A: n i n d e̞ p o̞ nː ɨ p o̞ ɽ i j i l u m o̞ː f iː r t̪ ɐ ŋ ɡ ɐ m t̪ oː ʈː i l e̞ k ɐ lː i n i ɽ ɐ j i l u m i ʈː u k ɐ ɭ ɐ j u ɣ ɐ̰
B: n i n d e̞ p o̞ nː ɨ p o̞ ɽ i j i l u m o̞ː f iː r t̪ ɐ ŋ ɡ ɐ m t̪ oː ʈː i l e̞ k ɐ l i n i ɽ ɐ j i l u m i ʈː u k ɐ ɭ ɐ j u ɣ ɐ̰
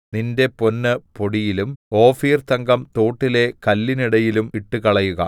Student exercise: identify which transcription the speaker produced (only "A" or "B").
A